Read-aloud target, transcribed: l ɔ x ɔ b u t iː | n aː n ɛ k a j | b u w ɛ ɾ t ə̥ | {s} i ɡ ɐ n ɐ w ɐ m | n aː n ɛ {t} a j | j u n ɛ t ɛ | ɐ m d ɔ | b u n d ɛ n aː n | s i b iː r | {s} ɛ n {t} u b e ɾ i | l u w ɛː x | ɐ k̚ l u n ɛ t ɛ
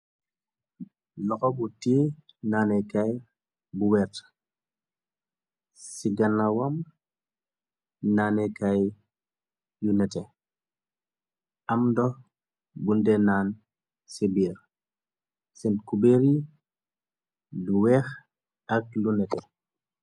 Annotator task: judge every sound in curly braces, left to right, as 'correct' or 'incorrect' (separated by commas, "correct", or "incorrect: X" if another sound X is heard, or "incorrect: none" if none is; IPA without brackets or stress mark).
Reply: correct, incorrect: k, correct, incorrect: k